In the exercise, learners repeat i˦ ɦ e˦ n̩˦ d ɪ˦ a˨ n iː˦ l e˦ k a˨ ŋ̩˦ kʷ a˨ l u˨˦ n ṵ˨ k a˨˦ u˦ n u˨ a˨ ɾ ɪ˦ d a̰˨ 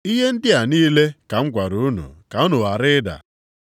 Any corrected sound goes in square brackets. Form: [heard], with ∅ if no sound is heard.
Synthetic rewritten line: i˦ ɦ e˦ n̩˦ d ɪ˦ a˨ n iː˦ l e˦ k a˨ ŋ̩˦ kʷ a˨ [ɾ] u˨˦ n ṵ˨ k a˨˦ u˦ n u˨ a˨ ɾ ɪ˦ d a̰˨

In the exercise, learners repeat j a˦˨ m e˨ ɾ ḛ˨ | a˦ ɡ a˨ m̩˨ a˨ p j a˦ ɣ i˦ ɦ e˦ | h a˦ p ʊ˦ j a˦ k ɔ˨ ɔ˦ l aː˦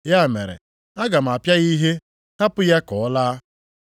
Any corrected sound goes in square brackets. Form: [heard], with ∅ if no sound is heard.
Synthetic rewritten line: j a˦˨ m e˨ ɾ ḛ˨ | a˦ ɡ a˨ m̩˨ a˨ p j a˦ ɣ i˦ ɦ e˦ | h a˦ p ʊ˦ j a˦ k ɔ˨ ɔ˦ l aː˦

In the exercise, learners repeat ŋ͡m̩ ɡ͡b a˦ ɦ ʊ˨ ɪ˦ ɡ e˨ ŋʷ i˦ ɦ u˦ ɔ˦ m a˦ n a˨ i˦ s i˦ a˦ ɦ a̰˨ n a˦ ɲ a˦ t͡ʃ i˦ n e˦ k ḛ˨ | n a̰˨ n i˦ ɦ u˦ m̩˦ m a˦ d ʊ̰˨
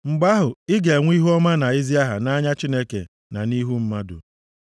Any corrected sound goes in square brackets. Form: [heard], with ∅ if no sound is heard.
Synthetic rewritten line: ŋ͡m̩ ɡ͡b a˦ ɦ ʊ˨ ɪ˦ ɡ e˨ ŋʷ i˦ ɦ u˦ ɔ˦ m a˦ n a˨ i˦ [z] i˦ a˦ ɦ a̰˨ n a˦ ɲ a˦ t͡ʃ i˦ n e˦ k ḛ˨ | n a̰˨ n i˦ ɦ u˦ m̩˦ m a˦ d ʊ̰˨

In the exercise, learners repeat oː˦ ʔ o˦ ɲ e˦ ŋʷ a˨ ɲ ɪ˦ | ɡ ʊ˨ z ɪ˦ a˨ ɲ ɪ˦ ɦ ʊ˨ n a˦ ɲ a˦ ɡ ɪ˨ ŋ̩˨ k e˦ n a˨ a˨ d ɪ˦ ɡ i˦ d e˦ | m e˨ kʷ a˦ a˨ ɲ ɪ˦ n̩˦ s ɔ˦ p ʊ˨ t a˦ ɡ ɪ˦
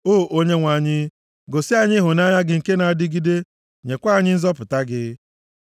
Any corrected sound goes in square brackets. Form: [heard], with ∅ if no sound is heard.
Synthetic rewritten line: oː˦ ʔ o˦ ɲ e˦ ŋʷ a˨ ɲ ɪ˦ | ɡ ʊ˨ [s] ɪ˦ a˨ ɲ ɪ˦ ɦ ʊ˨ n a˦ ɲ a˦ ɡ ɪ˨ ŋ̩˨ k e˦ n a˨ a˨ d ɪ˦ ɡ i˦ d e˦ | [ɲ] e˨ kʷ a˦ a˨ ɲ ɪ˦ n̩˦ [z] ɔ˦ p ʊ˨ t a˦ ɡ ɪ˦

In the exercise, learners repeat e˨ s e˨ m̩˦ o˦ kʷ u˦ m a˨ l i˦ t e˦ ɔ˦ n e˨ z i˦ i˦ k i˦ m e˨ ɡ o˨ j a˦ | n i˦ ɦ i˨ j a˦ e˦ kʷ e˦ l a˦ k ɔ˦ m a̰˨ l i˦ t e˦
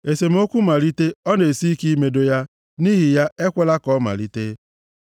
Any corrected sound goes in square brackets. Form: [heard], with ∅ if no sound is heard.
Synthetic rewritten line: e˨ s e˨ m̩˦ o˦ kʷ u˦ m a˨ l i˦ t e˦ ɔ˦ n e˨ [s] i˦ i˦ k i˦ m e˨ [d] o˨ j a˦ | n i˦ ɦ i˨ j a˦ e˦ kʷ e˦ l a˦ k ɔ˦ m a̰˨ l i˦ t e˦

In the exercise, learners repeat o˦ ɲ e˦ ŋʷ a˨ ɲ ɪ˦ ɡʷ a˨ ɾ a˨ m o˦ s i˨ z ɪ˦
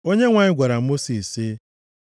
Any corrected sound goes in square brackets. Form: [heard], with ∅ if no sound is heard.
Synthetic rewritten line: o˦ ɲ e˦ ŋʷ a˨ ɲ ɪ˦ ɡʷ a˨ ɾ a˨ m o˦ s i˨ [s] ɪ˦

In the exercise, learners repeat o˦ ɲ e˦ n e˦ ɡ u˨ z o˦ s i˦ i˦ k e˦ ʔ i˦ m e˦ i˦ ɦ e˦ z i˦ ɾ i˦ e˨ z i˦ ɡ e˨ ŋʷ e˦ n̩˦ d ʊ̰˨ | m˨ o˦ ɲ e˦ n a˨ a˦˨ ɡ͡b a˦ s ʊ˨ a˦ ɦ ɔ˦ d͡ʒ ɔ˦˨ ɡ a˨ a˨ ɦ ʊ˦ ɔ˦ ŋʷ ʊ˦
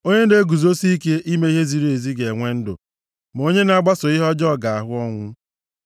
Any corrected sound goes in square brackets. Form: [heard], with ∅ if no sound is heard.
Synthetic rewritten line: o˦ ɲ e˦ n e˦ ɡ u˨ z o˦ s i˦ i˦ k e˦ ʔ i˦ m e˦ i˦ ɦ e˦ z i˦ ɾ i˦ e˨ z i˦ ɡ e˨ ŋʷ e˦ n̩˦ d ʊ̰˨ | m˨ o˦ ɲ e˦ n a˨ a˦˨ ɡ͡b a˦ s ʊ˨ [i˦] ɦ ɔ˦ d͡ʒ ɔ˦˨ ɡ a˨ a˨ ɦ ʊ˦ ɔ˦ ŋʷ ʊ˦

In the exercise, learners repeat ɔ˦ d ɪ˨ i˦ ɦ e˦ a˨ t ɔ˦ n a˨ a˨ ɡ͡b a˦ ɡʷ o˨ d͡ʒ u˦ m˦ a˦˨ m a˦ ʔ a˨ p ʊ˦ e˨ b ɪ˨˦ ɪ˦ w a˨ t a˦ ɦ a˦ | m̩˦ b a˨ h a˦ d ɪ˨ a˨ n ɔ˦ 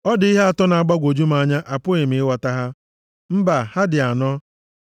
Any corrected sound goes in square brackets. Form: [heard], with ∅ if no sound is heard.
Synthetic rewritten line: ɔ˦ d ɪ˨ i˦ ɦ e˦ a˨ t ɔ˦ n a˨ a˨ ɡ͡b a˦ ɡʷ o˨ d͡ʒ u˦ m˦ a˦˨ [ɲ] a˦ ʔ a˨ p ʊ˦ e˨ [m] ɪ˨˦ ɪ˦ w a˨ t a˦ ɦ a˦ | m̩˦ b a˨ h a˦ d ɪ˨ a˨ n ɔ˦

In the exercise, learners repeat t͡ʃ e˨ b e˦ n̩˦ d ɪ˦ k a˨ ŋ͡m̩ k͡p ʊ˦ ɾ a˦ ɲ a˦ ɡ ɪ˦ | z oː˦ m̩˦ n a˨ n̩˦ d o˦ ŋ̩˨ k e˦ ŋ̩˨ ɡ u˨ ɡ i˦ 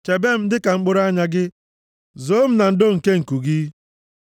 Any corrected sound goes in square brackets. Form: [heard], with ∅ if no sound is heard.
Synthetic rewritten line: t͡ʃ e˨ b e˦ [m̩˦] d ɪ˦ k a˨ ŋ͡m̩ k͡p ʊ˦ ɾ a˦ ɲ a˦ ɡ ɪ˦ | z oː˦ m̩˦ n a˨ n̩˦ d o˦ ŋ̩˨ k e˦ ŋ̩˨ [k] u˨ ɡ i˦

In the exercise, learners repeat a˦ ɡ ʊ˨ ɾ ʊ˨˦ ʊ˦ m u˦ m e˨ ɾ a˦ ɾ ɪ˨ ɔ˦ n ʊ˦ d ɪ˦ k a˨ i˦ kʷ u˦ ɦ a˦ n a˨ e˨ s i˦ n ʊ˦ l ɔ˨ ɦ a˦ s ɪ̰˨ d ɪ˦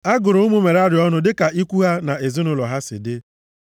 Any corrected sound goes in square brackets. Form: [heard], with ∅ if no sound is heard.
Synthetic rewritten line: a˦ ɡ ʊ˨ ɾ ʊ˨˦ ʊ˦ m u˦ m e˨ ɾ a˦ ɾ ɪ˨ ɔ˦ n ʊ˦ d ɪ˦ k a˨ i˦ kʷ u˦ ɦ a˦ n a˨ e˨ [z] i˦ n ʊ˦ l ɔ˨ ɦ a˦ s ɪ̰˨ d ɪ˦

